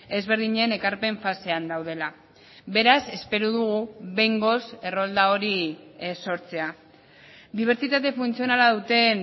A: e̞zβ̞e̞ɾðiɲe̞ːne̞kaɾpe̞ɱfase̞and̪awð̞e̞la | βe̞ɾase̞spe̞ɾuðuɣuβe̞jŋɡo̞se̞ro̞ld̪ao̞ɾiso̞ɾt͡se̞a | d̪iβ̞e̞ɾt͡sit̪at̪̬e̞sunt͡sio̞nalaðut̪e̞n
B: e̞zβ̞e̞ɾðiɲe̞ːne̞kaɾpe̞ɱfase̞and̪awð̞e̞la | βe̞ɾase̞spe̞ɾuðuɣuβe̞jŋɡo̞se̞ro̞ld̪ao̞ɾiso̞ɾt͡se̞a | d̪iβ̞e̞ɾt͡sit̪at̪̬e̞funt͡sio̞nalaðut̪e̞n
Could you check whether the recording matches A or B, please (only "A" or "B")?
B